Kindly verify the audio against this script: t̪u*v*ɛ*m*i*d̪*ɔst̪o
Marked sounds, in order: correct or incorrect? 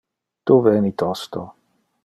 correct, incorrect, incorrect

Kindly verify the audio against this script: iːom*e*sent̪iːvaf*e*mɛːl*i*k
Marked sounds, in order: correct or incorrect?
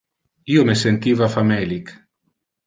correct, incorrect, correct

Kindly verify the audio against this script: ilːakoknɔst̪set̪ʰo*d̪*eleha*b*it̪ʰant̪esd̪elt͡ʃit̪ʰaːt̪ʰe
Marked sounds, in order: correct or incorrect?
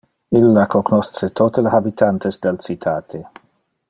incorrect, correct

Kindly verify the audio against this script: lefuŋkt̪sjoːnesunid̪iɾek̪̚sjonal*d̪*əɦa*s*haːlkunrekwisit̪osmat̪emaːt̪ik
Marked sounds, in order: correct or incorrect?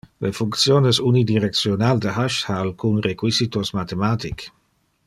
correct, incorrect

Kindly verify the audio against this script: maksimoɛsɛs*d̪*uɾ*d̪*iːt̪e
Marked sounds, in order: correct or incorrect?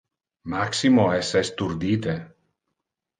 incorrect, correct

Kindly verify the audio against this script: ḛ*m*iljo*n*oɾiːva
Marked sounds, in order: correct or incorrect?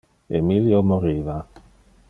correct, incorrect

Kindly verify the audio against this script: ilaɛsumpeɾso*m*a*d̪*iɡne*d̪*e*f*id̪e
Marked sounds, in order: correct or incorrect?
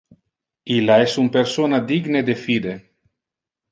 incorrect, correct, correct, correct

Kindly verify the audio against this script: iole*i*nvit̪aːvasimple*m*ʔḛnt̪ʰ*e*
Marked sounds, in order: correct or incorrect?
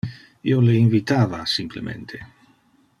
correct, correct, correct

